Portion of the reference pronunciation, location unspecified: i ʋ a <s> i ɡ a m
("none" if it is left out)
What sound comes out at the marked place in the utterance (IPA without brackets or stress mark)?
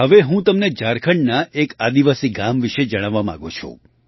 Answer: s